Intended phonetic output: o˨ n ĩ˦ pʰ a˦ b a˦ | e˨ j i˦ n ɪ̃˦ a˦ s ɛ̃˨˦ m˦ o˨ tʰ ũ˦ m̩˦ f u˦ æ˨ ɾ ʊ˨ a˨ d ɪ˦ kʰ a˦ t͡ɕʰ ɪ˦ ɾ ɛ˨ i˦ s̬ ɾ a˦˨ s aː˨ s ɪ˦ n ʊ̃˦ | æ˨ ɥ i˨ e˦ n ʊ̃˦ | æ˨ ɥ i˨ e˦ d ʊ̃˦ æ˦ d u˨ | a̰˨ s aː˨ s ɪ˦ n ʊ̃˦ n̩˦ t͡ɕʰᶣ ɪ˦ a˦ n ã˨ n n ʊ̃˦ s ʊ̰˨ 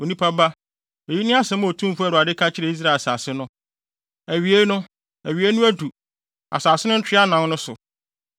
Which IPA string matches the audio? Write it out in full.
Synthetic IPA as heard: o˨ n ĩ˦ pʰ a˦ b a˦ | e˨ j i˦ n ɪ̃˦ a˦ s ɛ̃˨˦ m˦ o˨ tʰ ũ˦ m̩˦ f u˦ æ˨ ɾ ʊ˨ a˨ d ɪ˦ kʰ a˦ t͡ɕʰ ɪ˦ ɾ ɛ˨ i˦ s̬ ɾ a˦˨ s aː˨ s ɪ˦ n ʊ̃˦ | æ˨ ɥ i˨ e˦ n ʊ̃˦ | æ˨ ɥ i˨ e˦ n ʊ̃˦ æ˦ d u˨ | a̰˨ s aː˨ s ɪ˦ n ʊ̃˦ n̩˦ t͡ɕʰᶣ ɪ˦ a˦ n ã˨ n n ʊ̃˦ s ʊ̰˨